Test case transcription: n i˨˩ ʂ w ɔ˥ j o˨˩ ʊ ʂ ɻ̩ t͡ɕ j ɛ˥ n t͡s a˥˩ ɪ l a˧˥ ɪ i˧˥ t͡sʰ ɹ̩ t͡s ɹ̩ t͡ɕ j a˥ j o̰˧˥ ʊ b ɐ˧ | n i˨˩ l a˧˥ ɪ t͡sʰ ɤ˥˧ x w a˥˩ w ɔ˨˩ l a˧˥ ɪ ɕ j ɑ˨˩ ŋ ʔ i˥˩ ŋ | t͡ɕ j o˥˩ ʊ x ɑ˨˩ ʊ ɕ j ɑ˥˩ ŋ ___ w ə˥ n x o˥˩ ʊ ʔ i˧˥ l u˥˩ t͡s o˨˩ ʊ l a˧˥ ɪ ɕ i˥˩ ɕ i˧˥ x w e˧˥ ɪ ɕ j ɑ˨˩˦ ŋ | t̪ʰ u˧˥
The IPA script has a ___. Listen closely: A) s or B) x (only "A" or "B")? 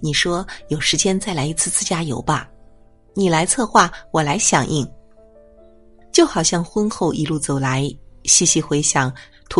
B